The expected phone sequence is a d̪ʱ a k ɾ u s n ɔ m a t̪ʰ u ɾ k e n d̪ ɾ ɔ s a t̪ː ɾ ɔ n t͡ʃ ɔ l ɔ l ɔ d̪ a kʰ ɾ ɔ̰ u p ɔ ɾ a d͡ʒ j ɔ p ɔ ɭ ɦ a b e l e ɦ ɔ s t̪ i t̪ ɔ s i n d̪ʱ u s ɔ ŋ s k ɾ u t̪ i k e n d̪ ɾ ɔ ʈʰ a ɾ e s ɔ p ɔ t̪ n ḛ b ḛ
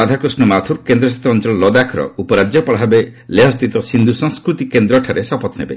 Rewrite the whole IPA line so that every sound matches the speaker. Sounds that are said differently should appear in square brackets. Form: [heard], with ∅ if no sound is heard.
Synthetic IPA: a d̪ʱ a k ɾ u s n ɔ m a t̪ʰ u ɾ k e n d̪ ɾ ɔ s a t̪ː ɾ ɔ n t͡ʃ ɔ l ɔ l ɔ d̪ a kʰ ɾ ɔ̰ u p ɔ ɾ a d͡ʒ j ɔ p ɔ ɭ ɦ a b e l e ɦ ɔ s t̪ i t̪ ɔ s i n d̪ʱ u s ɔ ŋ s k ɾ u t̪ i k e n d̪ ɾ ɔ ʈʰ a ɾ e s ɔ p ɔ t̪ n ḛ b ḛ